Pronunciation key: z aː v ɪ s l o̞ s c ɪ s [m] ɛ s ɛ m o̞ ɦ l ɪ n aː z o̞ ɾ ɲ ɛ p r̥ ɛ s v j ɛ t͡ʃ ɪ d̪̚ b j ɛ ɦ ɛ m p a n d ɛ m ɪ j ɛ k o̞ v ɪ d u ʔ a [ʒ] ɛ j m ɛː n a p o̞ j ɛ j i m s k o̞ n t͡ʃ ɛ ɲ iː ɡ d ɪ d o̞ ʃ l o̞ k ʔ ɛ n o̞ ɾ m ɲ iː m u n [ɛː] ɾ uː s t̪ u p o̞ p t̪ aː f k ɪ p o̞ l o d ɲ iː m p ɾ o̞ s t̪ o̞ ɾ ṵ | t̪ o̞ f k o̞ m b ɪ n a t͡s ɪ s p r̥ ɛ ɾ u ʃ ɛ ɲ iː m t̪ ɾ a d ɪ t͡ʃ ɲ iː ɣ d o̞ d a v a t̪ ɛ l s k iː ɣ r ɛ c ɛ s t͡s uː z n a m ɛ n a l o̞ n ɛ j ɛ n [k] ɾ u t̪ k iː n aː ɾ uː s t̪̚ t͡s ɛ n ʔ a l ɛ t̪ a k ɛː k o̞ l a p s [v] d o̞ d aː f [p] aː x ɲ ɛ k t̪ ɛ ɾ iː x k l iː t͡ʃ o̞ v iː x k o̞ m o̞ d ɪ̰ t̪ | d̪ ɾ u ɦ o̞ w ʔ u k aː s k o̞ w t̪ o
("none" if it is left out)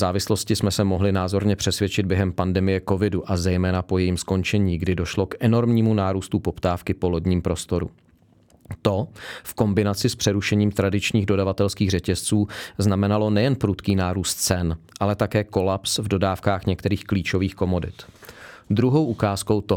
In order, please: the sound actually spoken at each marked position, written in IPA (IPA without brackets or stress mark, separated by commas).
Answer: m, z, aː, p, v, k